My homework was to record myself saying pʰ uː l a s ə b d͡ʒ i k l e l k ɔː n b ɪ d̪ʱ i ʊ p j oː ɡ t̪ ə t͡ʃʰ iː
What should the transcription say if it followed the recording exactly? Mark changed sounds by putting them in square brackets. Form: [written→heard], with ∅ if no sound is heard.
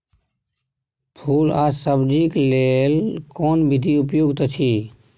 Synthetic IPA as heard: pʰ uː l a s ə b d͡ʒ i k l e l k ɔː n b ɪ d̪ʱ i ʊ p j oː ɡ t̪ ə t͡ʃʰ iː